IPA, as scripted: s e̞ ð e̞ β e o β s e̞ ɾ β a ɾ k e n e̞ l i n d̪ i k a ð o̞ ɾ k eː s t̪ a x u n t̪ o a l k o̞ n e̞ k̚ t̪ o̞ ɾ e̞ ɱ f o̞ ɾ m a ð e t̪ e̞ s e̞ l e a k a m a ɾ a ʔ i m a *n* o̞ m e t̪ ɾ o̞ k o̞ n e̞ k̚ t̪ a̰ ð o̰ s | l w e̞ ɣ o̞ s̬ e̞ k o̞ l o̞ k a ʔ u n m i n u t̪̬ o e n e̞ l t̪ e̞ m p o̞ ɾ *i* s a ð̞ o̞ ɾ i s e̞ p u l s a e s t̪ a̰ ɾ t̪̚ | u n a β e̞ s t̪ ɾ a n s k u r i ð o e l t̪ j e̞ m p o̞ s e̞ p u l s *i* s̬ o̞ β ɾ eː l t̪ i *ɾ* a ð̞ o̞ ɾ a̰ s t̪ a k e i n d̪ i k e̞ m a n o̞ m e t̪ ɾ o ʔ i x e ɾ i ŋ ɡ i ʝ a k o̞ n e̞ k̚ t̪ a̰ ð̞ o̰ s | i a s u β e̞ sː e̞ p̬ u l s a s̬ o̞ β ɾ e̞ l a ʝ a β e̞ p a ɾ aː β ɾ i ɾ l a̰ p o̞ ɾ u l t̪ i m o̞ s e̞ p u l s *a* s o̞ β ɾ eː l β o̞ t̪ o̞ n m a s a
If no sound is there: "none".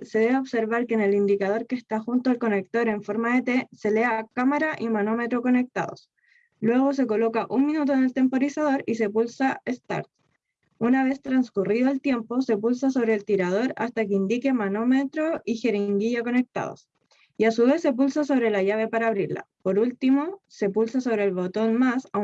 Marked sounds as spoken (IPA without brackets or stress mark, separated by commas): n, i, a, ɾ, a